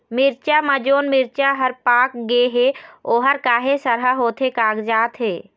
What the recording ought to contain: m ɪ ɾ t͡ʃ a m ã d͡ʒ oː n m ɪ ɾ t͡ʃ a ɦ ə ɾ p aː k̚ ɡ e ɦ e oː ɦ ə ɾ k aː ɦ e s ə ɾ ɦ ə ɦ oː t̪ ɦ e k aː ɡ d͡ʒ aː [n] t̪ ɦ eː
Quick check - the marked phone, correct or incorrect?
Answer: incorrect